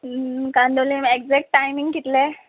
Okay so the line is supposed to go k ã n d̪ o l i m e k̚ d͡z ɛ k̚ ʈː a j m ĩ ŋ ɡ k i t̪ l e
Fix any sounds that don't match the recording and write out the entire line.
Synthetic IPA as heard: k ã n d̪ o l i m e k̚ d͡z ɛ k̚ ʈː a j m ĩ ŋ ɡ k i t̪ l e